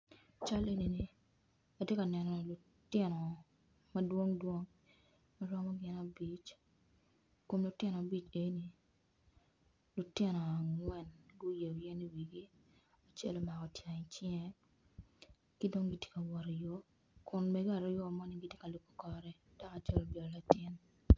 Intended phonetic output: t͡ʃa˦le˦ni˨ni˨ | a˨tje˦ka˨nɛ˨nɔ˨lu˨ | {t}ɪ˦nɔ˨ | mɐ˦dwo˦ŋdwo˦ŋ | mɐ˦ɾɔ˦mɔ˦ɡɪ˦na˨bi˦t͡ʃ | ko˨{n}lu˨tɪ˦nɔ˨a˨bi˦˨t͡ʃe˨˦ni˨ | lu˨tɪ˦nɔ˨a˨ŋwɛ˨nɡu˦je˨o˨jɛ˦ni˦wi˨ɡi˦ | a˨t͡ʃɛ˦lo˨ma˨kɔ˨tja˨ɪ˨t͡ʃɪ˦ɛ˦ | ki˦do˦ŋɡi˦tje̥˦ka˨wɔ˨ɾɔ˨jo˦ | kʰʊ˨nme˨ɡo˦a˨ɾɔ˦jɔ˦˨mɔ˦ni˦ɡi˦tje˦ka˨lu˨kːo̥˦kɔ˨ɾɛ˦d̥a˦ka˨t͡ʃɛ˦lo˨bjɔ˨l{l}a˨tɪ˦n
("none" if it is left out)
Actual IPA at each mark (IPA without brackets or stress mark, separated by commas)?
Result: t, m, l